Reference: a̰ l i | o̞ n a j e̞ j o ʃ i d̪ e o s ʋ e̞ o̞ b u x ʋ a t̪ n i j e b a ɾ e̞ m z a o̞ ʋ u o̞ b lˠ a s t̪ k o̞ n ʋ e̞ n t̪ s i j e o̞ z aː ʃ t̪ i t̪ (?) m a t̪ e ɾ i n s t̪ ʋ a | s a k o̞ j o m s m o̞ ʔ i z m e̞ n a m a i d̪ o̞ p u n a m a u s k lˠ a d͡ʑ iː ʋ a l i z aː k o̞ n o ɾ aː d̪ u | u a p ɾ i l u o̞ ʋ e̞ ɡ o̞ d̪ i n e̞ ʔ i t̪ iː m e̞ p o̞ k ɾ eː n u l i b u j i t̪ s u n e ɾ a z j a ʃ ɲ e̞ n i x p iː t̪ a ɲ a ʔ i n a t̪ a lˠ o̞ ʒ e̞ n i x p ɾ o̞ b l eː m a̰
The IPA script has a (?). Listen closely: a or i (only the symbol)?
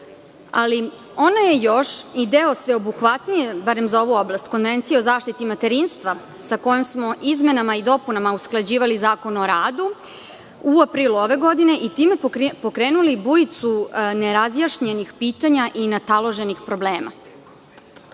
i